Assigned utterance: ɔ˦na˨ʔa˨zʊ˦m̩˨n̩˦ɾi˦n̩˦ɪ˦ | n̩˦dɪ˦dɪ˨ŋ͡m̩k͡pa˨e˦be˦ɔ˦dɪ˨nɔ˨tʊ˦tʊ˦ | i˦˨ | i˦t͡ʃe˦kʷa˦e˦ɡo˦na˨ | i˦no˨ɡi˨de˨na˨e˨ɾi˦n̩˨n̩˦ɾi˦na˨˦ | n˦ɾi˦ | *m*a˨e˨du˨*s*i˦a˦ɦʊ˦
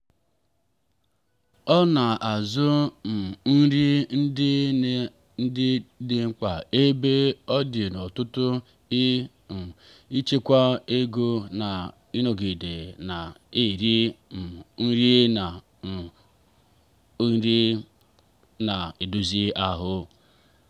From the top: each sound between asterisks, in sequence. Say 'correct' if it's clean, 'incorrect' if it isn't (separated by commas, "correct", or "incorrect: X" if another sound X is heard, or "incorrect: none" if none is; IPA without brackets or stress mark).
incorrect: n, incorrect: z